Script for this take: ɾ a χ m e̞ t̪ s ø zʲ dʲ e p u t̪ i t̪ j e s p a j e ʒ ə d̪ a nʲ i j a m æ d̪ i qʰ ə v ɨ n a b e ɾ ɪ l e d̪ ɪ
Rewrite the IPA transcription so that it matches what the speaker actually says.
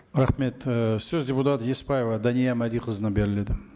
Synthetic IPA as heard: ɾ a χ m e̞ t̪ s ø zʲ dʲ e p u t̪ a t̪ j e s p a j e v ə d̪ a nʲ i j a m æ d̪ i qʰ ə z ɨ n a b e ɾ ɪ l e d̪ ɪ